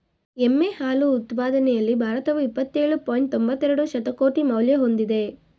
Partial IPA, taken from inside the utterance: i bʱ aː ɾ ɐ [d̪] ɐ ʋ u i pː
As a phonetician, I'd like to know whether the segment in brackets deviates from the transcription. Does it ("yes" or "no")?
yes